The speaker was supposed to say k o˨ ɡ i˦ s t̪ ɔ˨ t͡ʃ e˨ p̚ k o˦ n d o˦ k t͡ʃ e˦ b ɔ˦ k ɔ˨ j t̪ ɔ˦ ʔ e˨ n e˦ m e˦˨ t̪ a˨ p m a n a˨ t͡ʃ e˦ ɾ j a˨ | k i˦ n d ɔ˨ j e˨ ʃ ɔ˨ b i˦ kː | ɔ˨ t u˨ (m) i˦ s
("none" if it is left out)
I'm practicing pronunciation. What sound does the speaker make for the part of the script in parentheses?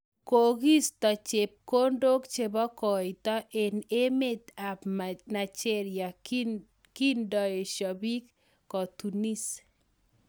n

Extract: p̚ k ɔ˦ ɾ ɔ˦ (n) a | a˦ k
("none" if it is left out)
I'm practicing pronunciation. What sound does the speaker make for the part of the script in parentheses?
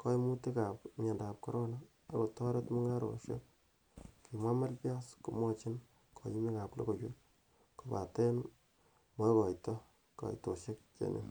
n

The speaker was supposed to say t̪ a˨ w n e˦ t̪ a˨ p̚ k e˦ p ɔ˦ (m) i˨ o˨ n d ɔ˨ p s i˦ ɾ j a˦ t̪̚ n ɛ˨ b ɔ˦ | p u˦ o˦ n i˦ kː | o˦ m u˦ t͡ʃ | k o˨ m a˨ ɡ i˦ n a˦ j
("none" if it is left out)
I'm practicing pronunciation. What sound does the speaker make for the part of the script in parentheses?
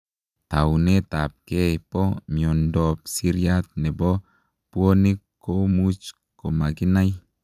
m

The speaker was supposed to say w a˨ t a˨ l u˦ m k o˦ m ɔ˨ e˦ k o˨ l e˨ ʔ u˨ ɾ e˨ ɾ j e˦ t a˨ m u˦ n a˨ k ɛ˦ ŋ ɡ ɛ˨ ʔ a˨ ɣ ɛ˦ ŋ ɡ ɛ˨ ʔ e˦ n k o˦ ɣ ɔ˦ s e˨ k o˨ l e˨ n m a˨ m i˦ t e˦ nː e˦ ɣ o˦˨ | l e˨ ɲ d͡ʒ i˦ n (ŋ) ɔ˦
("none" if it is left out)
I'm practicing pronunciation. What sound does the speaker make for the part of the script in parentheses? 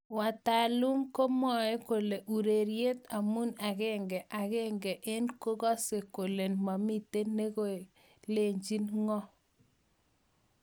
ŋ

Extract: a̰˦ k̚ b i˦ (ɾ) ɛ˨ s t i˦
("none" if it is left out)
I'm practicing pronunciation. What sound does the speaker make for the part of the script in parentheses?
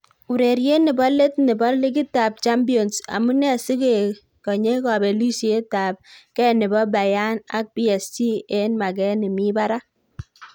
none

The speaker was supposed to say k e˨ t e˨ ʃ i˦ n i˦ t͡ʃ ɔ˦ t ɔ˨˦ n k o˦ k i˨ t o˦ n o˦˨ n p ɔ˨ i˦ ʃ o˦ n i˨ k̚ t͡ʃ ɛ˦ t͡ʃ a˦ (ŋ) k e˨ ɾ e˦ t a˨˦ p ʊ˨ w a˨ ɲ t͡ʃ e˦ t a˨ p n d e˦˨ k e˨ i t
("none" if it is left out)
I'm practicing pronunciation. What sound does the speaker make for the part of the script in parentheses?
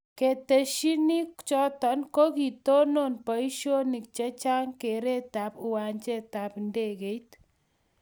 ŋ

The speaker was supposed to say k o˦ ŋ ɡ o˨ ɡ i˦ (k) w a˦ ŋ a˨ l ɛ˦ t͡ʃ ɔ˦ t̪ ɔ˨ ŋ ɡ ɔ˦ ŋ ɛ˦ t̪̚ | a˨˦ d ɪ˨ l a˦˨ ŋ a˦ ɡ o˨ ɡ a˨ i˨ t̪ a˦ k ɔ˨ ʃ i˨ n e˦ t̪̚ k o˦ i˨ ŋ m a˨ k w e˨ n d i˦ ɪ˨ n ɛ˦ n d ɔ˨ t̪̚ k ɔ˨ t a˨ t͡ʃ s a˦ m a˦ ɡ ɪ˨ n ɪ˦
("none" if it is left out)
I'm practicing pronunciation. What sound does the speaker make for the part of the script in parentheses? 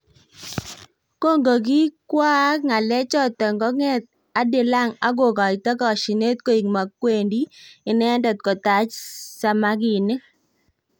k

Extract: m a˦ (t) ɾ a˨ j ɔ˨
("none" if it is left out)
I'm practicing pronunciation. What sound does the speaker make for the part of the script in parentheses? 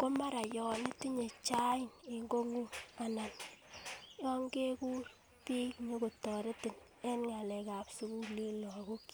none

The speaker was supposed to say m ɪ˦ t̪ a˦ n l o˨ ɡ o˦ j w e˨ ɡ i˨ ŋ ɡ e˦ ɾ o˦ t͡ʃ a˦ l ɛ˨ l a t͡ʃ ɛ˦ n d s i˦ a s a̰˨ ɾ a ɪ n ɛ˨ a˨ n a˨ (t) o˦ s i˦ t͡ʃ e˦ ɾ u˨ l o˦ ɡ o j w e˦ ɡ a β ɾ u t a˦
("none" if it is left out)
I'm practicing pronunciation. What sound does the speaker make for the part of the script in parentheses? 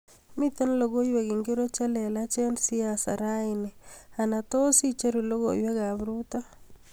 t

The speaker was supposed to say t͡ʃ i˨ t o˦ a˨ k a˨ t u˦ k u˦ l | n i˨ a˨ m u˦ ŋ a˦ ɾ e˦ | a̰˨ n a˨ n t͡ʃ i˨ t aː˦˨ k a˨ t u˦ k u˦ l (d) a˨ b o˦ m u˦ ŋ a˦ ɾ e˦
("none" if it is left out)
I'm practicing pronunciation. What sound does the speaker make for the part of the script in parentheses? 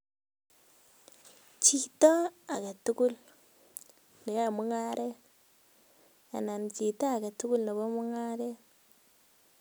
n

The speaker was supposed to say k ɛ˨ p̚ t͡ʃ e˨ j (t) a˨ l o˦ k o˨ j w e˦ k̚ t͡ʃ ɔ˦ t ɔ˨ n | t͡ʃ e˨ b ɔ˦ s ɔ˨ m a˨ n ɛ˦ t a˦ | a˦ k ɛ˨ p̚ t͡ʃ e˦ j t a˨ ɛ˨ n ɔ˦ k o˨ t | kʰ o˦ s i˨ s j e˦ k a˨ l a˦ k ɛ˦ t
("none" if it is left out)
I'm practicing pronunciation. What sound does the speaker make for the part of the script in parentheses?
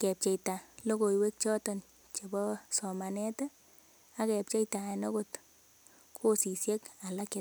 t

